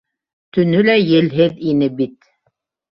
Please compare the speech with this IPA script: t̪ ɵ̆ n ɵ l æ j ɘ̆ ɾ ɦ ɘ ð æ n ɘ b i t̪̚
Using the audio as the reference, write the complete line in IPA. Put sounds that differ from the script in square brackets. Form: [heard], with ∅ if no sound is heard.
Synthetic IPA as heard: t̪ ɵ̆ n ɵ l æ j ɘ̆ [l] ɦ ɘ ð [i] n ɘ b i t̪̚